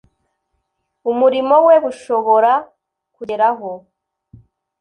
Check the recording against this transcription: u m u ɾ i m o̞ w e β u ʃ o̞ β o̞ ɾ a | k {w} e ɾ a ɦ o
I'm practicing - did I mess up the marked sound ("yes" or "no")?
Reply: yes